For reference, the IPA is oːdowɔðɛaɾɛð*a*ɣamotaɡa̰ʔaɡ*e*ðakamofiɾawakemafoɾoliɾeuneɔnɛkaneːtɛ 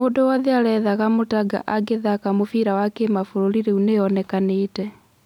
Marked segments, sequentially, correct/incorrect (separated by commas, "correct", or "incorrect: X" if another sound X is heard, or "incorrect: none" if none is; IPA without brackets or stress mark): correct, correct